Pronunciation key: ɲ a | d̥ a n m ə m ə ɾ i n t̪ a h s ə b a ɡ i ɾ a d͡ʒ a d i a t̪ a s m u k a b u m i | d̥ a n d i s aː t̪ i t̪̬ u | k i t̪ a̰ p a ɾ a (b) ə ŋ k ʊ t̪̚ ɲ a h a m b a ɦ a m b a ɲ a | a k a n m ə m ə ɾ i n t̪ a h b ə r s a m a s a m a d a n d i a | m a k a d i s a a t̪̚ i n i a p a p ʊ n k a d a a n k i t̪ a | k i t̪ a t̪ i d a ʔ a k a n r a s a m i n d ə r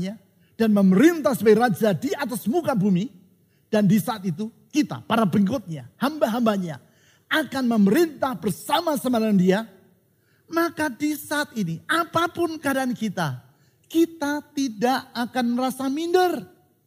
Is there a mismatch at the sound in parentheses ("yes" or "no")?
no